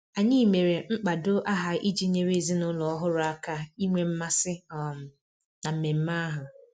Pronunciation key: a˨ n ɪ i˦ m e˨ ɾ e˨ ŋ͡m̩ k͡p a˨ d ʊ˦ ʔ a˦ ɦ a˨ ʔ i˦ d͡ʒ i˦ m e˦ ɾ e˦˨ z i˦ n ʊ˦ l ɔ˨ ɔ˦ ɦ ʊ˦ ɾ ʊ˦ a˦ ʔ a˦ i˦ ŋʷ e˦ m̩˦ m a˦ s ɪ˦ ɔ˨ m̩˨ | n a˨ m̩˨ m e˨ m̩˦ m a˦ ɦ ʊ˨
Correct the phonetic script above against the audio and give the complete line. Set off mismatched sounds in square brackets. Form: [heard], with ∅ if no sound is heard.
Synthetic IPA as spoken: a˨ [ɲ] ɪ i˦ m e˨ ɾ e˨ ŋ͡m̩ k͡p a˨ d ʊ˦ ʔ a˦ ɦ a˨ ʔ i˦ d͡ʒ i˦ [ɲ] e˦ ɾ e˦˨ z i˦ n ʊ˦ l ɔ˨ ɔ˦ ɦ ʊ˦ ɾ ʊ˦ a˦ [k] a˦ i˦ ŋʷ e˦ m̩˦ m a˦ s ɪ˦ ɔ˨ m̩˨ | n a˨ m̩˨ m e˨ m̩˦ m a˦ ɦ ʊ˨